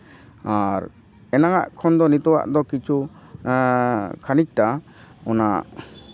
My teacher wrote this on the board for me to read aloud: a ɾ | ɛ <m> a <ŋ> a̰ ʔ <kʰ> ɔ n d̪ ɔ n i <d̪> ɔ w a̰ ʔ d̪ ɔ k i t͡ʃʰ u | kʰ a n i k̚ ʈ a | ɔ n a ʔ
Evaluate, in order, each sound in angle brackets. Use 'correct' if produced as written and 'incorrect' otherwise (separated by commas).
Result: incorrect, correct, correct, incorrect